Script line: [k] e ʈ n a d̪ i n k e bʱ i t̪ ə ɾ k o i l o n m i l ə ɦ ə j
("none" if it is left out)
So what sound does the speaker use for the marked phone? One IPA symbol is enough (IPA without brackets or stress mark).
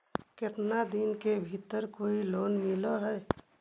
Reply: k